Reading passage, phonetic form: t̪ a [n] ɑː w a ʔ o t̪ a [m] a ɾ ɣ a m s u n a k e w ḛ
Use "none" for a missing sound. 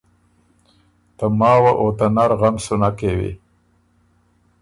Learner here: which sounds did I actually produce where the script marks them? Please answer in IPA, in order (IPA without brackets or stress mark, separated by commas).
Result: m, n